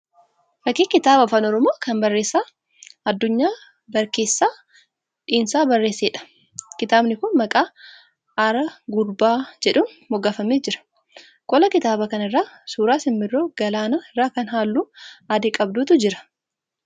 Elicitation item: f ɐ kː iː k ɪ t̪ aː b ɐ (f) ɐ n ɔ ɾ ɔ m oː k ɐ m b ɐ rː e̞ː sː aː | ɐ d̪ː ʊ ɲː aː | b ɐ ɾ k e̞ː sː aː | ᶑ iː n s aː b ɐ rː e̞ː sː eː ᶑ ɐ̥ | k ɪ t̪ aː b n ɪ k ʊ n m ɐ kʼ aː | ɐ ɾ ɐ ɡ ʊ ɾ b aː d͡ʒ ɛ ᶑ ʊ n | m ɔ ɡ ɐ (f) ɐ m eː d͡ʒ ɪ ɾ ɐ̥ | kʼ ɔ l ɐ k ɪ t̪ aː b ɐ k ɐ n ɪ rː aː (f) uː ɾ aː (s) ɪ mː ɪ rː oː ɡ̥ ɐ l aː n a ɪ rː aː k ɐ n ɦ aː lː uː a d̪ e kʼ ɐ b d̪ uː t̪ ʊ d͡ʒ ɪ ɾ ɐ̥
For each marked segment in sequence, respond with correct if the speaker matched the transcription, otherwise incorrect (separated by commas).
correct, correct, incorrect, correct